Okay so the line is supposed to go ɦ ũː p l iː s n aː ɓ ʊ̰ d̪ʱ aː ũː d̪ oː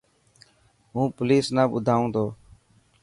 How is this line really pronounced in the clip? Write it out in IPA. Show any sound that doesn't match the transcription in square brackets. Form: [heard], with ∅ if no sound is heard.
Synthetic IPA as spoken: ɦ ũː p l iː s n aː ɓ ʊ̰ d̪ʱ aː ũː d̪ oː

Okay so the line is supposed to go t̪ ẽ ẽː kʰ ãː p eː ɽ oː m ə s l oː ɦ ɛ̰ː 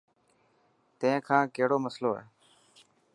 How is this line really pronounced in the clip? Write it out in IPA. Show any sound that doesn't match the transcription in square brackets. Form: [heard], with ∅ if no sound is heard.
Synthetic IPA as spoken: t̪ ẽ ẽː kʰ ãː [k] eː ɽ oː m ə s l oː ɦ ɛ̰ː

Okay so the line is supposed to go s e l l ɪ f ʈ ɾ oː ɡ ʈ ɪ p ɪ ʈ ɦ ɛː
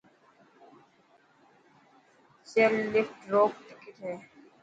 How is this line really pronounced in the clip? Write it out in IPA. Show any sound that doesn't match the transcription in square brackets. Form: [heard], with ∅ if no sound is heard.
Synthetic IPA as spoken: s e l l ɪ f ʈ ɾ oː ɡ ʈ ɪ [k] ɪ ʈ ɦ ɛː

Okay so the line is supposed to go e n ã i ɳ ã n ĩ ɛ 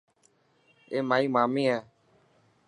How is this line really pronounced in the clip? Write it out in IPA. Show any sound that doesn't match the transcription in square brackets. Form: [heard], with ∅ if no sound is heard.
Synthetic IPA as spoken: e [m] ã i [m] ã [m] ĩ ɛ

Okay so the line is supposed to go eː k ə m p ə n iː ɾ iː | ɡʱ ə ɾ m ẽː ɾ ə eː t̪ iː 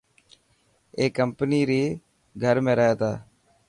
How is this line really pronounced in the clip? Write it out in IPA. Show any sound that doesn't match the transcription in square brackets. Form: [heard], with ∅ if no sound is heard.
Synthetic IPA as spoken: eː k ə m p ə n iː ɾ iː | ɡʱ ə ɾ m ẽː ɾ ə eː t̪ [aː]

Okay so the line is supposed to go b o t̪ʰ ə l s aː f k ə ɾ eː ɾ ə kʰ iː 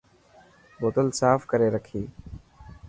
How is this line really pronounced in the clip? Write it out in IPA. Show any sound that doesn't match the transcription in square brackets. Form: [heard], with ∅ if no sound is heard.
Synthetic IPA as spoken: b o [t̪] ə l s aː f k ə ɾ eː ɾ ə kʰ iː

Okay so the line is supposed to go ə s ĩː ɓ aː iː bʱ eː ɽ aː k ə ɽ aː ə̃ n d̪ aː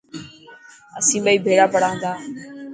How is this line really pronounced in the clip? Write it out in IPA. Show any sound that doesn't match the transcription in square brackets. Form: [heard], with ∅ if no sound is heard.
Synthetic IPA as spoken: ə s ĩː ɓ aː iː bʱ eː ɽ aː [p] ə ɽ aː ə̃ n d̪ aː

